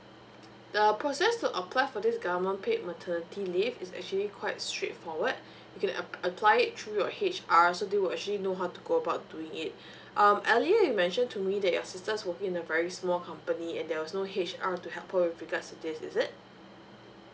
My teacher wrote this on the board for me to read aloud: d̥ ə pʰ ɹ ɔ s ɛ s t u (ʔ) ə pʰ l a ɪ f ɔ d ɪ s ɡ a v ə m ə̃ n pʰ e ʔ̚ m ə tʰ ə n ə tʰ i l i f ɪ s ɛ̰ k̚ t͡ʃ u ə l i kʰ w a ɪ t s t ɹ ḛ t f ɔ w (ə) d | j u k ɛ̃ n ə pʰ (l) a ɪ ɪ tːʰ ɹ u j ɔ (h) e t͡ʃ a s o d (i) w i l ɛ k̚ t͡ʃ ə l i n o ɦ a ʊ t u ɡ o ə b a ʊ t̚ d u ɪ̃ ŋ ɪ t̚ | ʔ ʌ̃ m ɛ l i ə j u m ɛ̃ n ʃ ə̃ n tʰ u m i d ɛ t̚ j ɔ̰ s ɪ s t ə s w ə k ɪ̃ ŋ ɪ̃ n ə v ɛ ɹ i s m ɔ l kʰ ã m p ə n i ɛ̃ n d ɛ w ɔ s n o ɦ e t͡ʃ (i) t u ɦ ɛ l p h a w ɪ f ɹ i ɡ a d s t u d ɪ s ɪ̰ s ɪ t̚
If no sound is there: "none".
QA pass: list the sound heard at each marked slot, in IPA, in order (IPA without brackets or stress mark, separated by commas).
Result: ʔ, ə, l, h, e, a